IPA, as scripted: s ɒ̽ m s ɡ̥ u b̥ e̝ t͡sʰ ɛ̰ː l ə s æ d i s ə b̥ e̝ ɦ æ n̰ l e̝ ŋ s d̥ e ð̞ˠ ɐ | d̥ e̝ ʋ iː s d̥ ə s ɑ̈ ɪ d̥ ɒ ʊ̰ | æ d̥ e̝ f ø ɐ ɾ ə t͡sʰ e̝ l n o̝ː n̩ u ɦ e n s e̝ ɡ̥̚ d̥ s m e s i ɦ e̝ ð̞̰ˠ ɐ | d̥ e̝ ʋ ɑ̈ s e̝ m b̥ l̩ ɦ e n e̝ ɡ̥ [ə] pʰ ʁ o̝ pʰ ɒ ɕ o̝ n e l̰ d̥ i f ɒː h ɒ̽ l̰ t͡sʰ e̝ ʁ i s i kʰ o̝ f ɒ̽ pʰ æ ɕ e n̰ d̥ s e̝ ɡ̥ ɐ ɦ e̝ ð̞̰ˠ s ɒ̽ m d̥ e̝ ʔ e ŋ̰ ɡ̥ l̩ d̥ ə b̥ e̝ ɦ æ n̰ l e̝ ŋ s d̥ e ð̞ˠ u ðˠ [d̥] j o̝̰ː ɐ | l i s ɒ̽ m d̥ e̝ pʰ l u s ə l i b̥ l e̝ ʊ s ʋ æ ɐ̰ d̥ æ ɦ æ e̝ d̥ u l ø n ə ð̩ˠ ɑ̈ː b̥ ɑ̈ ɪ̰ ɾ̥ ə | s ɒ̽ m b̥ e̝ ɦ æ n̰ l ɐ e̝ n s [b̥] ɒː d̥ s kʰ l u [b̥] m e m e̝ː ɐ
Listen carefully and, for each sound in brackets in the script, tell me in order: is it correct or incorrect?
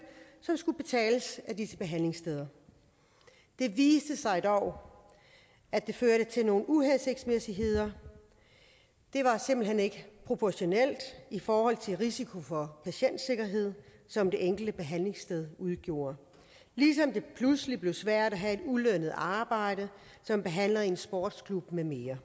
correct, incorrect: ɡ̥, correct, correct

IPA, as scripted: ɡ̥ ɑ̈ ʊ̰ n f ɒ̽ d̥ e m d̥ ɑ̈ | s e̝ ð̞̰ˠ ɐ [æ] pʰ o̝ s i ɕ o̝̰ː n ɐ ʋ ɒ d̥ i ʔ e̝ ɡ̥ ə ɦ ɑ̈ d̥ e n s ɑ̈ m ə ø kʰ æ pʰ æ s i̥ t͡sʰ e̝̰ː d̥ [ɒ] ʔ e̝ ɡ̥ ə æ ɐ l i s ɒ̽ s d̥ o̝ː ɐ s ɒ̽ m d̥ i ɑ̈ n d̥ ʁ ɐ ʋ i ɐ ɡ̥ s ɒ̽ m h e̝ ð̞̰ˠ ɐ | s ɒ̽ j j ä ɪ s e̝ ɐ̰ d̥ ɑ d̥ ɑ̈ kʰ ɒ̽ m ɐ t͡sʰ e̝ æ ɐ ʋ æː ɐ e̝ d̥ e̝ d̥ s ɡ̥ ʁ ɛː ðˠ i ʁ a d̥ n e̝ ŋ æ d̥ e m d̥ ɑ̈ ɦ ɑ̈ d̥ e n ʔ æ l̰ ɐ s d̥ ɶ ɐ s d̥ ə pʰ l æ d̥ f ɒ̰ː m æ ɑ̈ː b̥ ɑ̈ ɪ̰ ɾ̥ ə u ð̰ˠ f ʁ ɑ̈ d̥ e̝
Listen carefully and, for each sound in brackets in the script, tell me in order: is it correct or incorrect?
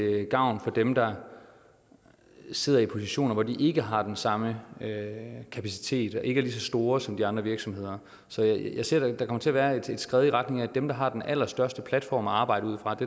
incorrect: i, correct

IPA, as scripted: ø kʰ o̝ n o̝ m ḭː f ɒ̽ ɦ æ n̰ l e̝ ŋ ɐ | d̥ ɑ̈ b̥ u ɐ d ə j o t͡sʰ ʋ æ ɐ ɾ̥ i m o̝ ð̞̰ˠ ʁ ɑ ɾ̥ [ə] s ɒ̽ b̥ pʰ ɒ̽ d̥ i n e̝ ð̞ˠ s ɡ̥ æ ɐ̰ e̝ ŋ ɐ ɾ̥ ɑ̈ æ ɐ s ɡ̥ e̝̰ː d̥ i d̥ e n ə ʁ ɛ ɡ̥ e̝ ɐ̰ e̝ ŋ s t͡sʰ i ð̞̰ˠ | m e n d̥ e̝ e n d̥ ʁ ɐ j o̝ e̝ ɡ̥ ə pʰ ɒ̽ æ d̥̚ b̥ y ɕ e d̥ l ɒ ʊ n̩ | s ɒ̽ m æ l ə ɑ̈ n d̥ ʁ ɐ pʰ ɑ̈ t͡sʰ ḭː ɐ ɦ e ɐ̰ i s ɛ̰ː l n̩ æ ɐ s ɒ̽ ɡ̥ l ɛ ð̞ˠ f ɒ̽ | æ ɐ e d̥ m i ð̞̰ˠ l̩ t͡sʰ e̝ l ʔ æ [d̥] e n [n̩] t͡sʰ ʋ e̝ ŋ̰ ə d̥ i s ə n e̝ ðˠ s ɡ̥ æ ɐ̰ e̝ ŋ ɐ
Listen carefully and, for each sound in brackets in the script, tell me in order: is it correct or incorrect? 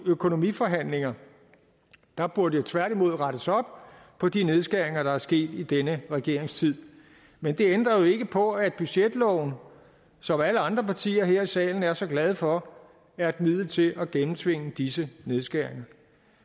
correct, incorrect: ɡ̥, incorrect: m̩

